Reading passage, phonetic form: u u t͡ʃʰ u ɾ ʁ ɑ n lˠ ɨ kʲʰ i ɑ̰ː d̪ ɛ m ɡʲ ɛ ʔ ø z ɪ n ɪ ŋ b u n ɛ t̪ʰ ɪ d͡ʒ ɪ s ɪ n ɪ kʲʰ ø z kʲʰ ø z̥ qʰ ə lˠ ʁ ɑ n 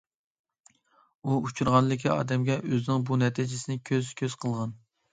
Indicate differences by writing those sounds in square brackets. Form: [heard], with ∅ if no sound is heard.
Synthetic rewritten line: u u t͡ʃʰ u ɾ ʁ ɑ n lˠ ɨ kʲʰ i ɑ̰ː d̪ ɛ m ɡʲ ɛ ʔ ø z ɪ n ɪ ŋ b u n ɛ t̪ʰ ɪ d͡ʒ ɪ s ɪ n ɪ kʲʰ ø z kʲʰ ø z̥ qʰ ə lˠ ʁ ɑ n